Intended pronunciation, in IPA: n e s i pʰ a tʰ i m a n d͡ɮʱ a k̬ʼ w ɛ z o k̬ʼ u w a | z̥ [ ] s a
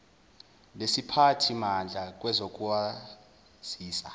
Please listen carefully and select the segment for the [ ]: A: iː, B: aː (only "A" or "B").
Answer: A